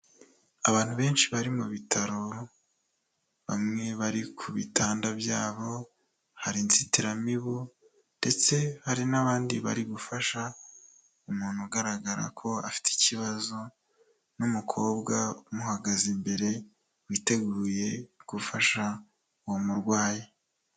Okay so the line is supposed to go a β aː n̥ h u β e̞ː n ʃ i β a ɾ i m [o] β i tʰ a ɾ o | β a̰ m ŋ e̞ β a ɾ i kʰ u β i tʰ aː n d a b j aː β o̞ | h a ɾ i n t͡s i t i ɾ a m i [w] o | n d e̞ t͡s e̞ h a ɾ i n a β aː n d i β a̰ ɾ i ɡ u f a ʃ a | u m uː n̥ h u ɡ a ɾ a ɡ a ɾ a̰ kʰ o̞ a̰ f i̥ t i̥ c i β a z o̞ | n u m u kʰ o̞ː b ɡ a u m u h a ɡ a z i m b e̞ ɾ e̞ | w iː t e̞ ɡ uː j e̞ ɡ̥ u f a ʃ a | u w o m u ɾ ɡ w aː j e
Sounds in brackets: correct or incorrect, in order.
incorrect: u, incorrect: β

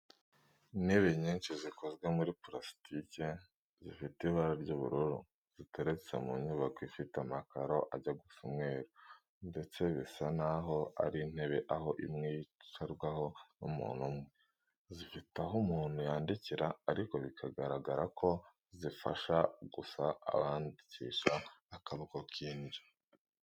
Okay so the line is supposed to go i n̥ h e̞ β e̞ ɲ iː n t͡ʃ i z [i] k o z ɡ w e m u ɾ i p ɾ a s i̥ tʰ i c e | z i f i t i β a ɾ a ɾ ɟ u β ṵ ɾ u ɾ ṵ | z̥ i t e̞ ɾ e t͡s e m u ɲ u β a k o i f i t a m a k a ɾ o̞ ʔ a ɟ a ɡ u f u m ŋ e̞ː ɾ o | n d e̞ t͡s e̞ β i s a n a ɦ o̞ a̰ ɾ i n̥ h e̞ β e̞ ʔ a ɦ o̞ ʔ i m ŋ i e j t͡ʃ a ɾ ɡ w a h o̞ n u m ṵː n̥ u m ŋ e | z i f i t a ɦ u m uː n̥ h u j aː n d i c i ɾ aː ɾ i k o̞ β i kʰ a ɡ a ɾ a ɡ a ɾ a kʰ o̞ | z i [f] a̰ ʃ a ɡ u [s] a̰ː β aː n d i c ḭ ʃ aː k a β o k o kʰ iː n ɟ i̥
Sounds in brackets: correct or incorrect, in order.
correct, correct, correct

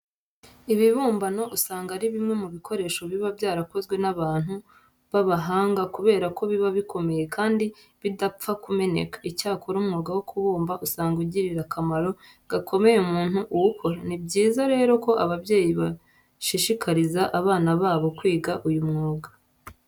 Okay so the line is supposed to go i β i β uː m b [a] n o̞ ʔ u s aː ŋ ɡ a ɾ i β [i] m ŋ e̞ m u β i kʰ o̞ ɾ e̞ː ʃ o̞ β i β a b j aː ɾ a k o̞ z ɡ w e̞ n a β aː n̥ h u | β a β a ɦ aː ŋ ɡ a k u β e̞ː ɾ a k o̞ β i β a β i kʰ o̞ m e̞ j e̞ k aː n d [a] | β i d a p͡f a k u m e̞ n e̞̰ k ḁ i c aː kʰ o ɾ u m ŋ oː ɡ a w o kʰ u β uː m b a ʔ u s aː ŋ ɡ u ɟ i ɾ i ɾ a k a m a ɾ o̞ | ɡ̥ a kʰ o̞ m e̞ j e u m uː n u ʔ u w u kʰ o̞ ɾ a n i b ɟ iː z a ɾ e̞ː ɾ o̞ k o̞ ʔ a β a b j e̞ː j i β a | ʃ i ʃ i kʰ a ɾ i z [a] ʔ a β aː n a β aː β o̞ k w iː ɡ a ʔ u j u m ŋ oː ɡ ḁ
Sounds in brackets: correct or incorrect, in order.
correct, correct, incorrect: i, correct

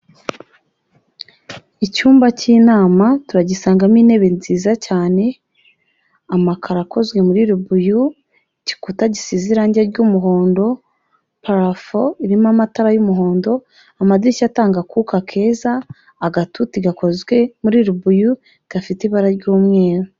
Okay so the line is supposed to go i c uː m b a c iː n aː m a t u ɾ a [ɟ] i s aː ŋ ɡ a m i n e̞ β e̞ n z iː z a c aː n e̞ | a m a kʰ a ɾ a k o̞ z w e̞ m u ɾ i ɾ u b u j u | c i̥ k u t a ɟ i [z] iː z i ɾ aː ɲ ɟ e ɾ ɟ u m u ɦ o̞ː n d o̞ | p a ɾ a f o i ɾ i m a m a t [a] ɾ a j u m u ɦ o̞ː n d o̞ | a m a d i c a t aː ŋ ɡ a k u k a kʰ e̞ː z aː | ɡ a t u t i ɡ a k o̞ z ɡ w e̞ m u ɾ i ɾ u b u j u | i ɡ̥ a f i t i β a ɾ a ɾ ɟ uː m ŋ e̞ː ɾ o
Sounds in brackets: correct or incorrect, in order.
correct, incorrect: s, correct

